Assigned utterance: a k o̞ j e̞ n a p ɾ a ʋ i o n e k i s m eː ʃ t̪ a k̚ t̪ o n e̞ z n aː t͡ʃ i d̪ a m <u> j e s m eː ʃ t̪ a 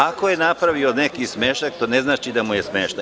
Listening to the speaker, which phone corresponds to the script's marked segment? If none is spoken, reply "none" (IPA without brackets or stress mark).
u